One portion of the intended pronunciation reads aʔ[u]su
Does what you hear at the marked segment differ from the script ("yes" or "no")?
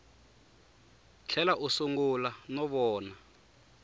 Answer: no